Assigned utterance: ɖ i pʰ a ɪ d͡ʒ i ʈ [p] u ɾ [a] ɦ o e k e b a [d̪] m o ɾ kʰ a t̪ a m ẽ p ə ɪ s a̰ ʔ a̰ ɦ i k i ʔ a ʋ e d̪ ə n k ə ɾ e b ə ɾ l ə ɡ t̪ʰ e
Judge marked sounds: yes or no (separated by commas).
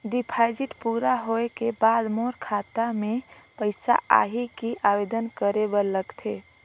yes, yes, yes